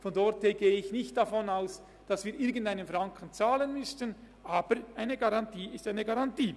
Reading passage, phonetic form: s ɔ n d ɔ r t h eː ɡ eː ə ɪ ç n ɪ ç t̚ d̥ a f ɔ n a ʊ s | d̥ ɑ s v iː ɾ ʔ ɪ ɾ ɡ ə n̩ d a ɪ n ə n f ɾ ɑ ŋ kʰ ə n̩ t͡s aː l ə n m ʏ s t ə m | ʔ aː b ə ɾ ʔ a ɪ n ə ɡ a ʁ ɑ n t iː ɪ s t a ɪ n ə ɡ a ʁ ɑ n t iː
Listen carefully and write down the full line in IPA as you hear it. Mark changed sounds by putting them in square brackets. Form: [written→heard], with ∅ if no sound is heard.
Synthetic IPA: [s→f] ɔ n d ɔ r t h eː ɡ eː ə ɪ ç n ɪ ç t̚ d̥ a f ɔ n a ʊ s | d̥ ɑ s v iː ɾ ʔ ɪ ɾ ɡ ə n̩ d a ɪ n ə n f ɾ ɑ ŋ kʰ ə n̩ t͡s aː l ə n m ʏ s t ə [m→n] | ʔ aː b ə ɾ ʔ a ɪ n ə ɡ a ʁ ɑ n t iː ɪ s t a ɪ n ə ɡ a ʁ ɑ n t iː

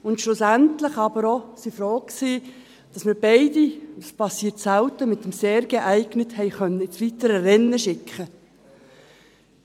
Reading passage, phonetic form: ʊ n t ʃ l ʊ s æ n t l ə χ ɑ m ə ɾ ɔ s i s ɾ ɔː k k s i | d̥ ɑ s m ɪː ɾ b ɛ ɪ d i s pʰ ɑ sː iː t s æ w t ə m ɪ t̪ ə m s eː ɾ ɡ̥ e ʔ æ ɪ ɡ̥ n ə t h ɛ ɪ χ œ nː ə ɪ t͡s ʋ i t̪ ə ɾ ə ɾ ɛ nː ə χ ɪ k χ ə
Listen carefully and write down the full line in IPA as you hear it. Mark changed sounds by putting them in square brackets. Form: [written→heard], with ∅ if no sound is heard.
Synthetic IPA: ʊ n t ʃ l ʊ s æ n t l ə χ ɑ [m→b] ə ɾ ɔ s i [s→f] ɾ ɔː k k s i | d̥ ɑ s m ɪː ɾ b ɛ ɪ d i s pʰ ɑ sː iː t s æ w t ə m ɪ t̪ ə m s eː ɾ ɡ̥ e ʔ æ ɪ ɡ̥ n ə t h ɛ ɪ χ œ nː ə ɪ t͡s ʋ i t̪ ə ɾ ə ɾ ɛ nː ə [χ→ʃ] ɪ k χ ə

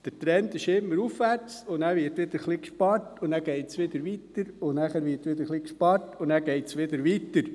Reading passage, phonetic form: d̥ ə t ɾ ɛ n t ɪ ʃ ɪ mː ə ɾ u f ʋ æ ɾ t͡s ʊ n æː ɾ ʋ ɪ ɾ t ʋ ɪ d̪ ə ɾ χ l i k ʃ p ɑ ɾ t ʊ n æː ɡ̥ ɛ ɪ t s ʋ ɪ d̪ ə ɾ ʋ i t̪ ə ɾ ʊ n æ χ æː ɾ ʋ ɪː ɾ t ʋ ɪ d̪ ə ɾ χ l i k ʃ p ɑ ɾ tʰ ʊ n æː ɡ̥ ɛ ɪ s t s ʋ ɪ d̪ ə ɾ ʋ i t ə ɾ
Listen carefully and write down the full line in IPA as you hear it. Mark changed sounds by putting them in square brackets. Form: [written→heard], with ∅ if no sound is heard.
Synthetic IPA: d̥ ə t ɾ ɛ n t ɪ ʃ ɪ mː ə ɾ u f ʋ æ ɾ t͡s ʊ n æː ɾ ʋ ɪ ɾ t ʋ ɪ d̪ ə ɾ χ l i k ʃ p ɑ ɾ t ʊ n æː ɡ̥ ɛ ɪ t s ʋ ɪ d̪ ə ɾ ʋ i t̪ ə ɾ ʊ n æ χ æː ɾ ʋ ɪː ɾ t ʋ ɪ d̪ ə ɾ χ l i k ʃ p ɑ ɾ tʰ ʊ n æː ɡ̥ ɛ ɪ [s→∅] t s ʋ ɪ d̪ ə ɾ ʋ i t ə ɾ

